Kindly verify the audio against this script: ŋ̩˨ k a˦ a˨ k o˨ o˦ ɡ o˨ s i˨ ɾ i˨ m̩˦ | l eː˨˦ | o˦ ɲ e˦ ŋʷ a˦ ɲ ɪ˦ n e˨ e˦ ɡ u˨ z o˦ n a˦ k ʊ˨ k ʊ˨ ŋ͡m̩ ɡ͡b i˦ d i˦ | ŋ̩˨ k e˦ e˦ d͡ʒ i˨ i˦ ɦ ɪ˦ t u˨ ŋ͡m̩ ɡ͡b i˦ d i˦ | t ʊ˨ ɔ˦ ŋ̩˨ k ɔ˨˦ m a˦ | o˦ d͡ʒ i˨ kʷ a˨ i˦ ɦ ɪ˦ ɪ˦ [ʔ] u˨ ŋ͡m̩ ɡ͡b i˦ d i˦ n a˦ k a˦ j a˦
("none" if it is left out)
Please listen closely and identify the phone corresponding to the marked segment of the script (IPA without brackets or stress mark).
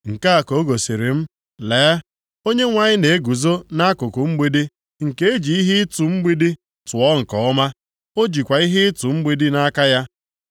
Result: t